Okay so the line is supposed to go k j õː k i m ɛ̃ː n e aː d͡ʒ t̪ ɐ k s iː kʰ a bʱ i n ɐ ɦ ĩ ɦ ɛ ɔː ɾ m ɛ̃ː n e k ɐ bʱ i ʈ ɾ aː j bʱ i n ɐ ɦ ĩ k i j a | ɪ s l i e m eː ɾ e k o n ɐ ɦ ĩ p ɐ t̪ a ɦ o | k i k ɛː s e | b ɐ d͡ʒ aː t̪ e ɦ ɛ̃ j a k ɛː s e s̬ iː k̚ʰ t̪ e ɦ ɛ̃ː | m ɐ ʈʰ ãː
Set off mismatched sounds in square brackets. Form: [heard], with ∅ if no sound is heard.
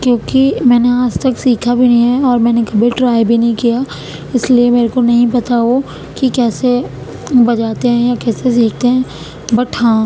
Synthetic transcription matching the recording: k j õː k i m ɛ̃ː n e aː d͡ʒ t̪ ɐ k s iː kʰ a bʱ i n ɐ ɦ ĩ ɦ ɛ ɔː ɾ m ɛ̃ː n e k ɐ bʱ i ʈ ɾ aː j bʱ i n ɐ ɦ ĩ k i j a | ɪ s l i e m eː ɾ e k o n ɐ ɦ ĩ p ɐ t̪ a ɦ o | k i k ɛː s e | b ɐ d͡ʒ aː t̪ e ɦ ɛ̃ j a k ɛː s e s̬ iː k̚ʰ t̪ e ɦ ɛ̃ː | [b] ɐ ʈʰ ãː